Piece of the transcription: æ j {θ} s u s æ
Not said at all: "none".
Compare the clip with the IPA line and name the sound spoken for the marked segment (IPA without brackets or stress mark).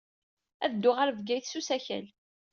θ